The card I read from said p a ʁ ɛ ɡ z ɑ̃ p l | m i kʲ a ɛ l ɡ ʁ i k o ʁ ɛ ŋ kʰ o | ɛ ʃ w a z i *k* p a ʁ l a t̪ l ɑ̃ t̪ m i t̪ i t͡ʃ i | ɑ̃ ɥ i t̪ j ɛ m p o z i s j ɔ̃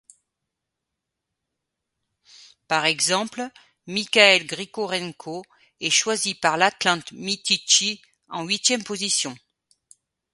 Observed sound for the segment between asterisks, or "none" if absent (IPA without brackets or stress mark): none